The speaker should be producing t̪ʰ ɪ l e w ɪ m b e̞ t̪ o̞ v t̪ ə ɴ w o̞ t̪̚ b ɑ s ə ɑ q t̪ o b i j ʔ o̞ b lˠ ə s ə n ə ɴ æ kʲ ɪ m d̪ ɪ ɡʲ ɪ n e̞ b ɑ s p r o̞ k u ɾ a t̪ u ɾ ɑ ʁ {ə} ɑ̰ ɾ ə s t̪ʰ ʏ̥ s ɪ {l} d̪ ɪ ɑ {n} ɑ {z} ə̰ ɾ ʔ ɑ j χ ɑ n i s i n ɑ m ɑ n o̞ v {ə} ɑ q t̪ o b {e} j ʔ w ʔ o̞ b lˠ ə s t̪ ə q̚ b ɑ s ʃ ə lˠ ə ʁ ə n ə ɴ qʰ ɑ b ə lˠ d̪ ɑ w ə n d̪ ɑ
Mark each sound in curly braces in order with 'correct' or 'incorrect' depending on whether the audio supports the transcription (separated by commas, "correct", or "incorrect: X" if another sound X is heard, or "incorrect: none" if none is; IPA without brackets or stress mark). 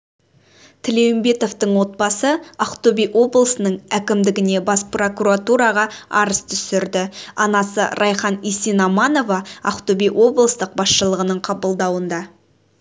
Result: incorrect: ɑ, incorrect: ɾ, correct, incorrect: s, incorrect: ɑ, incorrect: i